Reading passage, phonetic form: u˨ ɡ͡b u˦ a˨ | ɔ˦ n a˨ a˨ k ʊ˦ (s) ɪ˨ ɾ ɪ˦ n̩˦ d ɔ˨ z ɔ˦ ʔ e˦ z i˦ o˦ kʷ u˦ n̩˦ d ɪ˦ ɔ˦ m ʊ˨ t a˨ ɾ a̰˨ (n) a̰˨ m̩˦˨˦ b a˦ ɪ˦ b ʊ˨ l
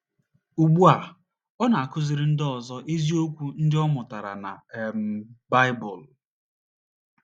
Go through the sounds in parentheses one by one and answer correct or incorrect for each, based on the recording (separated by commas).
incorrect, correct